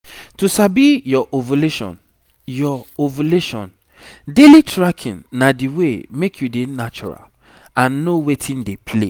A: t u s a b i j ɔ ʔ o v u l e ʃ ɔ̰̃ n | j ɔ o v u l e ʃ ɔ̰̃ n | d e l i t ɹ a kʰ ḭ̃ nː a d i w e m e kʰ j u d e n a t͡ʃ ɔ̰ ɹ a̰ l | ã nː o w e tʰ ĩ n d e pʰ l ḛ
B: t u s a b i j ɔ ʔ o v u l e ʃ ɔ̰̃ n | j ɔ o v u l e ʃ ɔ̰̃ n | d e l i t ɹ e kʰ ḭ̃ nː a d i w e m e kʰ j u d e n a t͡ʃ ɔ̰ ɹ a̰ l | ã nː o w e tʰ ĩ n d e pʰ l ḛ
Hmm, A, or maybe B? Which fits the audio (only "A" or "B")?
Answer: A